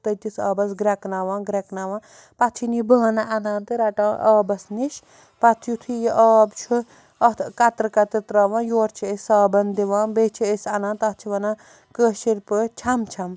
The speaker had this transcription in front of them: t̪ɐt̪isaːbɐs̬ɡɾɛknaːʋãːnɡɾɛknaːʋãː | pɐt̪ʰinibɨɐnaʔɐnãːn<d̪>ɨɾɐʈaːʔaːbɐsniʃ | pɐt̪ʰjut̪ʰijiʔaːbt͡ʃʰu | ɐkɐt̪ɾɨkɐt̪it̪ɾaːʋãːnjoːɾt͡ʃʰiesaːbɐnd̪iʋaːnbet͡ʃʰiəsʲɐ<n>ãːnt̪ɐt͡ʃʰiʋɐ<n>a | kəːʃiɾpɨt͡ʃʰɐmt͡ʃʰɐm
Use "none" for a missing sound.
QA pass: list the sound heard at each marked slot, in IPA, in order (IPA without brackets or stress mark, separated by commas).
t̪, n, n